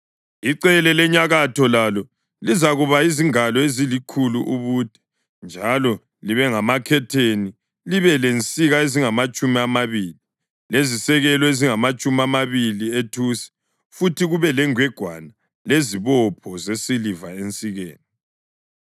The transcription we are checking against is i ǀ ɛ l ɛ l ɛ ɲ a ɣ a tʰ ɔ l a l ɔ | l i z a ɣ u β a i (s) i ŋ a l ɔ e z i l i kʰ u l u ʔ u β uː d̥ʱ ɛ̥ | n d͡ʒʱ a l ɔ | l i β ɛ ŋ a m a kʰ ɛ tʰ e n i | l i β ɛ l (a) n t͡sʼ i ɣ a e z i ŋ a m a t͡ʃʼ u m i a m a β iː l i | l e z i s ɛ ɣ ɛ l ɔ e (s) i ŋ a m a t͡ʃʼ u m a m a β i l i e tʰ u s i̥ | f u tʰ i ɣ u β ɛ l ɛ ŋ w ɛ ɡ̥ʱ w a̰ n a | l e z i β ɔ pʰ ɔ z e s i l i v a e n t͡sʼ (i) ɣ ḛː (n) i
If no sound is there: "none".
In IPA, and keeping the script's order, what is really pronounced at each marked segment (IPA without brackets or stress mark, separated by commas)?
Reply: z, e, z, i, n